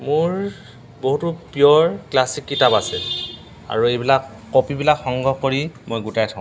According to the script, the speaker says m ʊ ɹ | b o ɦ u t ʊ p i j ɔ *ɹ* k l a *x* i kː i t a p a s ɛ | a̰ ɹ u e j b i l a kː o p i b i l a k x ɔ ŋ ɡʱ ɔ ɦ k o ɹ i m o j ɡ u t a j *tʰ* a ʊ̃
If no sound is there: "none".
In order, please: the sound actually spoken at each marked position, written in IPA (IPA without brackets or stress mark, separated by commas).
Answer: ɹ, s, tʰ